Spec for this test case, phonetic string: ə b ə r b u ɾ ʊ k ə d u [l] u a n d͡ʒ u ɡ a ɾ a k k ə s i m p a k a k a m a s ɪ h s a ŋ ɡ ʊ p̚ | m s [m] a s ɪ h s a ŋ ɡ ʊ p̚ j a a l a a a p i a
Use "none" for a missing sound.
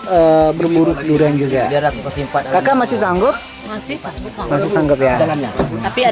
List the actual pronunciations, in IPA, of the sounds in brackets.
ɾ, m

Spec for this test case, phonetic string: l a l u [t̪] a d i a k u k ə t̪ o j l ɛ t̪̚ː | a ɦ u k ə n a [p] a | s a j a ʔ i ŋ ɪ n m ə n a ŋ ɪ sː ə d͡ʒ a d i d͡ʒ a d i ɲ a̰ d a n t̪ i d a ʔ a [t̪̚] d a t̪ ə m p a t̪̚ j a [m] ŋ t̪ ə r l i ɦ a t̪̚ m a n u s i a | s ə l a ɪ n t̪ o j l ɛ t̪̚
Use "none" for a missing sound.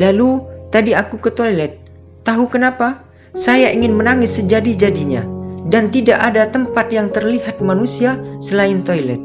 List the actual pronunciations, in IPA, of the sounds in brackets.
t̪, p, none, none

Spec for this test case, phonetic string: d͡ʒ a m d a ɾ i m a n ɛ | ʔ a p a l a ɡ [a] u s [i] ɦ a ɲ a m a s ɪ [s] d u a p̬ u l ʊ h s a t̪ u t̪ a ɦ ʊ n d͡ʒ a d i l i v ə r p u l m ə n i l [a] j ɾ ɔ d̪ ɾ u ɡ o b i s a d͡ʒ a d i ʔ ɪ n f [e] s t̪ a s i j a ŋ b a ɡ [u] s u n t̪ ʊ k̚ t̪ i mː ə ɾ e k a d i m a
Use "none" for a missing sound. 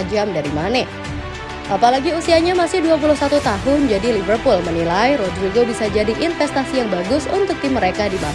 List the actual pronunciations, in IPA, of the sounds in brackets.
i, i, h, a, ɛ, ʊ

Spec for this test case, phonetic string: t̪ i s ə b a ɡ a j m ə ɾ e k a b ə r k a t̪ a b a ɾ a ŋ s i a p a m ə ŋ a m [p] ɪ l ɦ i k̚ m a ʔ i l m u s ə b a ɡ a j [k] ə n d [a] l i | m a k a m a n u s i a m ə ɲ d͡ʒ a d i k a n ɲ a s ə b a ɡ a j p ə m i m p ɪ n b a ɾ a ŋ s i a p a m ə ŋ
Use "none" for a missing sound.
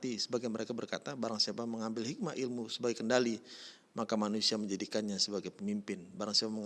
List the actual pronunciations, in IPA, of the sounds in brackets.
b, k, a

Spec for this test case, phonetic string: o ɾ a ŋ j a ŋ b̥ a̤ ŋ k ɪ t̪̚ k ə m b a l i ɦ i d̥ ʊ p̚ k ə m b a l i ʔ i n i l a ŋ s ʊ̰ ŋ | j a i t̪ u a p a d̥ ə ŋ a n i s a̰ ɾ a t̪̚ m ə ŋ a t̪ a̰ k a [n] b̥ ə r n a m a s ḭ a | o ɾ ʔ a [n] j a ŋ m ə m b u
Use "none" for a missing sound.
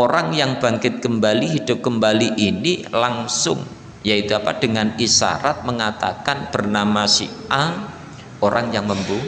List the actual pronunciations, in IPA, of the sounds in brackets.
n, ŋ

